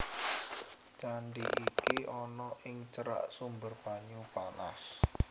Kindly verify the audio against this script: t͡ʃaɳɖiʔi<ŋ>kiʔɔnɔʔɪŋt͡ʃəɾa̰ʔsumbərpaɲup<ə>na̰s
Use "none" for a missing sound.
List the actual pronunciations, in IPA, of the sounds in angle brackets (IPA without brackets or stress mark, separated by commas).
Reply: none, a